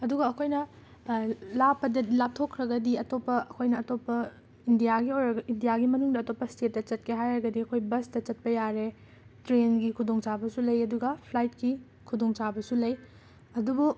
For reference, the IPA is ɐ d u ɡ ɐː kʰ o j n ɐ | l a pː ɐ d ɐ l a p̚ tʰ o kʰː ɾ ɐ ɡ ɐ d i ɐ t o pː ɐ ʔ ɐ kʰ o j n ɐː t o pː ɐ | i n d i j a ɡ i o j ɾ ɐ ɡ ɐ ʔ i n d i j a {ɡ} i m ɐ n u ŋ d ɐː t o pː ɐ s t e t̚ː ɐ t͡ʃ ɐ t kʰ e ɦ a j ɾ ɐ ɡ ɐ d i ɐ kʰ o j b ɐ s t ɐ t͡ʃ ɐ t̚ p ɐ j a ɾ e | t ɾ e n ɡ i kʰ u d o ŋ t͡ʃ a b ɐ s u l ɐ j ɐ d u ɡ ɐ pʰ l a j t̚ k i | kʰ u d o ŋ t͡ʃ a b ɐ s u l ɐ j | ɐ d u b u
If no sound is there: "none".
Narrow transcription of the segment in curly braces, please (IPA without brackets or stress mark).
ɡ